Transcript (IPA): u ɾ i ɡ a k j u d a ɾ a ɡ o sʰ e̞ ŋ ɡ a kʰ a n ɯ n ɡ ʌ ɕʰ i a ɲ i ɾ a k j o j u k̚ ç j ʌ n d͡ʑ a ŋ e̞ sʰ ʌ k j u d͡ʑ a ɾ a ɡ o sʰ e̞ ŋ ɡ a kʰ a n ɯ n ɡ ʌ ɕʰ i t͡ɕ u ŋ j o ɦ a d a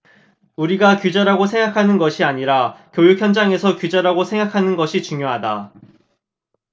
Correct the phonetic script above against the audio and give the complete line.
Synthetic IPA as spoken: u ɾ i ɡ a k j u d͡ʑ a ɾ a ɡ o sʰ e̞ ŋ ɡ a kʰ a n ɯ n ɡ ʌ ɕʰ i a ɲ i ɾ a k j o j u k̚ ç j ʌ n d͡ʑ a ŋ e̞ sʰ ʌ k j u d͡ʑ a ɾ a ɡ o sʰ e̞ ŋ ɡ a kʰ a n ɯ n ɡ ʌ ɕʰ i t͡ɕ u ŋ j o ɦ a d a